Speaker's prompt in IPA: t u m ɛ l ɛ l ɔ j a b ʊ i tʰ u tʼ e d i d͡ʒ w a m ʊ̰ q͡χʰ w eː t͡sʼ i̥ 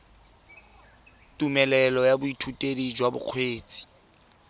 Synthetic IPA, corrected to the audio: t u m ɛ l ɛ l ɔ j a b ʊ i tʰ u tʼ e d i d͡ʒ w a b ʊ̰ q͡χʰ w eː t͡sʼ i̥

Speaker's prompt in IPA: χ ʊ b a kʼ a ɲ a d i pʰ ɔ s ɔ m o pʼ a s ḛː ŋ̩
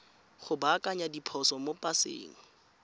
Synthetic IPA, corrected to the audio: χ ʊ b a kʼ a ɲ a d i pʰ ɔ s ɔ m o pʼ a s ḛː ŋ̩

